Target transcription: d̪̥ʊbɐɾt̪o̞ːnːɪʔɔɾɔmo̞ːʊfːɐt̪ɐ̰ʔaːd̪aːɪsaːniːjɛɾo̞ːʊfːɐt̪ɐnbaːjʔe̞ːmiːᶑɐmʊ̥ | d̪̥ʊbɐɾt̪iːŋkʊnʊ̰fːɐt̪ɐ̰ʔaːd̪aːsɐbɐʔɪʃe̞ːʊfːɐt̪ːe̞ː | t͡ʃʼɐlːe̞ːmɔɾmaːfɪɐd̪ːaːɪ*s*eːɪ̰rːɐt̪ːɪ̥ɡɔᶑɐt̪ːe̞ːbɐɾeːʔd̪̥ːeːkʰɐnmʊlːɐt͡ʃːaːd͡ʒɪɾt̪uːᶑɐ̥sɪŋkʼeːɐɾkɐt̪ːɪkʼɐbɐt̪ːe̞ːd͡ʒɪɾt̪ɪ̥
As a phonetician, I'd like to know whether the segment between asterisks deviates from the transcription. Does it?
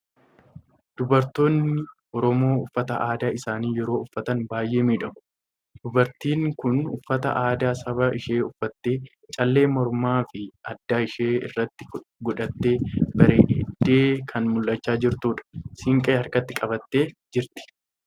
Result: yes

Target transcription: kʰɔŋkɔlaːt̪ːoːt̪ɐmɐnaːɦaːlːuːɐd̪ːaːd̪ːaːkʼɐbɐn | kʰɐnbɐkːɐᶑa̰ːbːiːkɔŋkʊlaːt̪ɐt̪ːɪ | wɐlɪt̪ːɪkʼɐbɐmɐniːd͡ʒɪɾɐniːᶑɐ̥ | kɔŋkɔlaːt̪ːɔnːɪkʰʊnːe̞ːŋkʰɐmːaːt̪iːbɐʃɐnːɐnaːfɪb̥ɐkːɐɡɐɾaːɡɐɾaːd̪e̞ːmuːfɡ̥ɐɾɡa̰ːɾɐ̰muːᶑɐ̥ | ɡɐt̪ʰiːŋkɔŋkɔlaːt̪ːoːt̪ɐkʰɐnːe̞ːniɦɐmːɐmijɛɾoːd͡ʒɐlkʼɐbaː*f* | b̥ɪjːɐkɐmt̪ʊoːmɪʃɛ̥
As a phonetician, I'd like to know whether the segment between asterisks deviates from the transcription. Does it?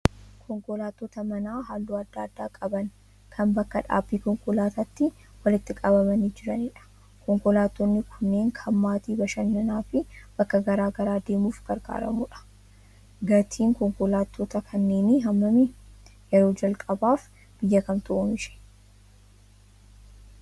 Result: no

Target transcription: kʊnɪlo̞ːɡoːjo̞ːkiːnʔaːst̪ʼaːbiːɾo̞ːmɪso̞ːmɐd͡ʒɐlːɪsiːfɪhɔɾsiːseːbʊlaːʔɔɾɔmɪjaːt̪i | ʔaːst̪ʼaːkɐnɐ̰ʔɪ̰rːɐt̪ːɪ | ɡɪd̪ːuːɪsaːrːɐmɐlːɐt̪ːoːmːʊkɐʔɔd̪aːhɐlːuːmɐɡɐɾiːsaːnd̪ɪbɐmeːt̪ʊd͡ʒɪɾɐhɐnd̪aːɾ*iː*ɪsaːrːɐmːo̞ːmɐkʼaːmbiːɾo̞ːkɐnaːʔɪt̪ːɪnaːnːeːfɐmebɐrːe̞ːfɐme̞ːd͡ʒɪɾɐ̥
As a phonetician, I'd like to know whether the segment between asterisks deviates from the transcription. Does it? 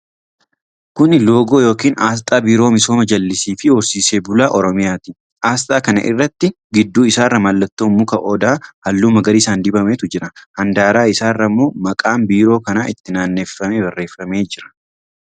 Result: yes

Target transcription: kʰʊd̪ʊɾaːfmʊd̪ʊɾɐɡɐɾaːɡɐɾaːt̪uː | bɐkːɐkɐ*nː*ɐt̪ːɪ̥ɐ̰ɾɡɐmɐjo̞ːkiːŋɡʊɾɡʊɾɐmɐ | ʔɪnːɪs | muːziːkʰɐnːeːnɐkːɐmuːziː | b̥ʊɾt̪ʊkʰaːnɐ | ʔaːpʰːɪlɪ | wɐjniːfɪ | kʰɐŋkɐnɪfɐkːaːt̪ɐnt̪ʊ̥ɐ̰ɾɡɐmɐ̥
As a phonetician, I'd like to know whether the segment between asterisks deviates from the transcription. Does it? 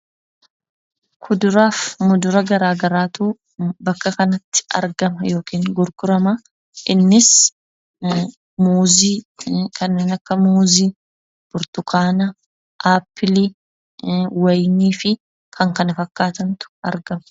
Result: yes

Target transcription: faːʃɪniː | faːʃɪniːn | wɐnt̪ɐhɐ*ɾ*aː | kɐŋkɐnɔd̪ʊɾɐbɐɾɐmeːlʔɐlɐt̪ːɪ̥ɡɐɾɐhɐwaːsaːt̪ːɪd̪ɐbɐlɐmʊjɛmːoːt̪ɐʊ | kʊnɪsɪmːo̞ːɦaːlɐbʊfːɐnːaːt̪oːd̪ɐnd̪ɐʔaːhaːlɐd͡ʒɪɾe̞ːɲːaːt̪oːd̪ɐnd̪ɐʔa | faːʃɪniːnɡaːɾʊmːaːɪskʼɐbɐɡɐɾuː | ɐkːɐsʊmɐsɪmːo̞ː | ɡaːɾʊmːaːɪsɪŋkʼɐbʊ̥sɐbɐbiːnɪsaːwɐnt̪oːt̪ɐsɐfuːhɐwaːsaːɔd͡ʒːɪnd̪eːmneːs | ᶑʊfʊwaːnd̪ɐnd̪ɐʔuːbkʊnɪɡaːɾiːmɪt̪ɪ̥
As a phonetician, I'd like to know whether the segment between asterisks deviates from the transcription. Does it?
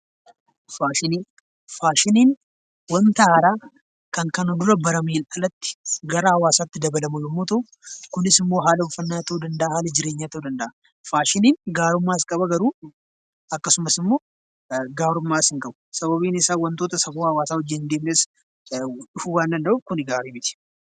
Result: no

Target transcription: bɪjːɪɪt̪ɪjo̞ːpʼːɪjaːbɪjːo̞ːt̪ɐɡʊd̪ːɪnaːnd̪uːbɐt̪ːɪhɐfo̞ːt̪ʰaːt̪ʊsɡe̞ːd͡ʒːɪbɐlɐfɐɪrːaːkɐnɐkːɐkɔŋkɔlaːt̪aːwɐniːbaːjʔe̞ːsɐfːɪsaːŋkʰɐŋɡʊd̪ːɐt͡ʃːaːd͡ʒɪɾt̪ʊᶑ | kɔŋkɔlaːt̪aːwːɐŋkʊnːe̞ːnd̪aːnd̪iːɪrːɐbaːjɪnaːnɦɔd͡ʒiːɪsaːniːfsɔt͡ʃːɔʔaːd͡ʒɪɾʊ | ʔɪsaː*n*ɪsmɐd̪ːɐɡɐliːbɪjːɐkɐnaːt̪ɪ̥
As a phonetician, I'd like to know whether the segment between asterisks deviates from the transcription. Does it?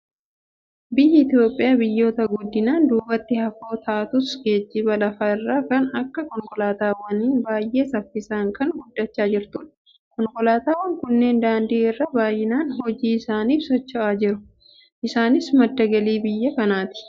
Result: no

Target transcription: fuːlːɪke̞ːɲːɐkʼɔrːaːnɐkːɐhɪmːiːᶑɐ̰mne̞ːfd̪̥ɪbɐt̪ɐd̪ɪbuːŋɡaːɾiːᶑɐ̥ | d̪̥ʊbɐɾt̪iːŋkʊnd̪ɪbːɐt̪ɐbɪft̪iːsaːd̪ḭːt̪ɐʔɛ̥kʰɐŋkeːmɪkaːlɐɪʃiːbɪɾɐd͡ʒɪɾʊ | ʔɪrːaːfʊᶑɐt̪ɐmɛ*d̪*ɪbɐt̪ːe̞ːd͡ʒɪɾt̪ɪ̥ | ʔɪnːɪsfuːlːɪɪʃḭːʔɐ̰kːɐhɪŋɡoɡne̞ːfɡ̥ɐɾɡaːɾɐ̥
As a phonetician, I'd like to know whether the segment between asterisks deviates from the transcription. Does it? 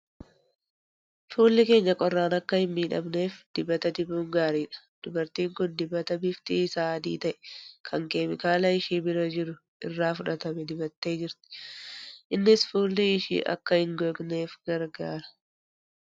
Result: no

